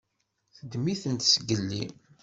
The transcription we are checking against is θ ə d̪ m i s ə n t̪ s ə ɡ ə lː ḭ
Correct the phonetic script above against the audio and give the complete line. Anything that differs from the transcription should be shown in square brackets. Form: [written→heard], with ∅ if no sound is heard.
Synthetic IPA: θ ə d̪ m i [s→θ] ə n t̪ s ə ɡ ə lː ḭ